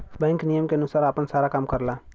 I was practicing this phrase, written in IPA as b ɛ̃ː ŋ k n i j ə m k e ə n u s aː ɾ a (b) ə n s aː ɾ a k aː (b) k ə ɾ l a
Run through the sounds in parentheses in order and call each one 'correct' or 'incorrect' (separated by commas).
incorrect, incorrect